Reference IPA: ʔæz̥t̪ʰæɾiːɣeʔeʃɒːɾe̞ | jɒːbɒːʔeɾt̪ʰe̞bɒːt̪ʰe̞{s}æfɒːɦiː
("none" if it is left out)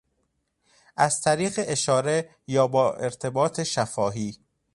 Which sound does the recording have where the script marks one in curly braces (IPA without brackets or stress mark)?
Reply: ʃ